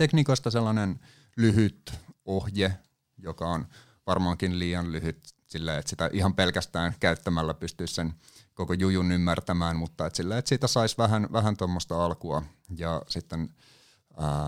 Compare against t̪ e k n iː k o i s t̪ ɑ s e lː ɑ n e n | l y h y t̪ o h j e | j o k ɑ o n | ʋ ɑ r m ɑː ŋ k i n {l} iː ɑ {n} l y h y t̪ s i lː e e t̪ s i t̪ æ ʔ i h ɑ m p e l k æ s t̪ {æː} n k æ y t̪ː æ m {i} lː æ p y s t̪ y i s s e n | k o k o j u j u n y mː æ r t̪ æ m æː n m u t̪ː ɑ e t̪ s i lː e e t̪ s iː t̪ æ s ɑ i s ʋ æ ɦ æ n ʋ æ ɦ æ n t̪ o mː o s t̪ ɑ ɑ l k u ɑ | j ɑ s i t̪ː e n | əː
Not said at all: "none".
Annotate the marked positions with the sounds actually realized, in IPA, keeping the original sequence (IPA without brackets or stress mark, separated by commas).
l, n, æː, æ